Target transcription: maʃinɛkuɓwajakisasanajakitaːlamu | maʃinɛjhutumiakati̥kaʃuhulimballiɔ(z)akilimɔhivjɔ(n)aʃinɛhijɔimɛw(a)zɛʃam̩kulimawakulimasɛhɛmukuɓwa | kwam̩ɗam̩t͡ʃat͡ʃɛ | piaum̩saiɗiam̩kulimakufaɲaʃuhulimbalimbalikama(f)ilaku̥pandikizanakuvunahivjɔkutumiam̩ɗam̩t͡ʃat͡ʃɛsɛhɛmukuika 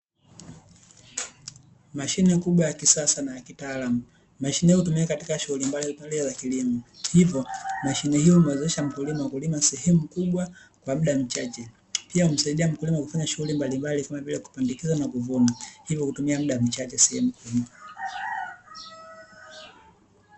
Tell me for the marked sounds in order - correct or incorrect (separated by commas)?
correct, incorrect, incorrect, incorrect